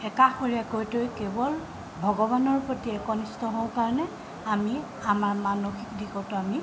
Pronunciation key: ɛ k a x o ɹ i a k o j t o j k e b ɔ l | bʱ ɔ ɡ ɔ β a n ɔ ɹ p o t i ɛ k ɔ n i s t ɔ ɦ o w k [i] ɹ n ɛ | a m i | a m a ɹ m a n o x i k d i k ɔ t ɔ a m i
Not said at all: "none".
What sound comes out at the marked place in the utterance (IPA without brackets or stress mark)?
a